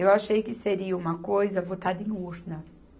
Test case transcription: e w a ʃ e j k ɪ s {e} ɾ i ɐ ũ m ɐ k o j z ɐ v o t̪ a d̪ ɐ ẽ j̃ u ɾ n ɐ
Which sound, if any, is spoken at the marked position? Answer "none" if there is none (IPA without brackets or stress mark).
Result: e